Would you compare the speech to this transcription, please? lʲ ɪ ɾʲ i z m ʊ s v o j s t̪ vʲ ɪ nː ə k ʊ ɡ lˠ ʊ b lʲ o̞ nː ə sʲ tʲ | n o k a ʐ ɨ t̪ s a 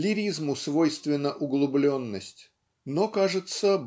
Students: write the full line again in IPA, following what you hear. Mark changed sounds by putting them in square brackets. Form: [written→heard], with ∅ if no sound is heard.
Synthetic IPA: lʲ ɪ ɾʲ i z m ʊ s v o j s t̪ vʲ ɪ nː ə [k→ʔ] ʊ ɡ lˠ ʊ b lʲ o̞ nː ə sʲ tʲ | n o k a ʐ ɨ t̪ s [a→ə]